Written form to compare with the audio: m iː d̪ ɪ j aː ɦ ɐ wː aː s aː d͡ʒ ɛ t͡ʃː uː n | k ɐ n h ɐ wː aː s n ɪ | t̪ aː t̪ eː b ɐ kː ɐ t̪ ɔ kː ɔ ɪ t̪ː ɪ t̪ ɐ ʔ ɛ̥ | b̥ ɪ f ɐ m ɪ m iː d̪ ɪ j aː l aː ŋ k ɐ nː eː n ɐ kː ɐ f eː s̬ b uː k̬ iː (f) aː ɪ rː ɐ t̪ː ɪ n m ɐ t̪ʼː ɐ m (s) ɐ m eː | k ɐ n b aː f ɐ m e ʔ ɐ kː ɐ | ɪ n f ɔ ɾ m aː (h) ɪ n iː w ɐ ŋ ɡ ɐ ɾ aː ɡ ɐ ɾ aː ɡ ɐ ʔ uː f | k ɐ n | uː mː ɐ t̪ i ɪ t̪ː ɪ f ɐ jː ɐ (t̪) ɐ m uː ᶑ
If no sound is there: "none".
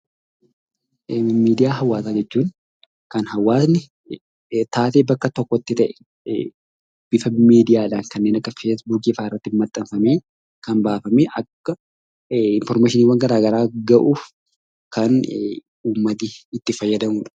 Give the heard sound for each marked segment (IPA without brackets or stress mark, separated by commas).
f, f, ʃ, d̪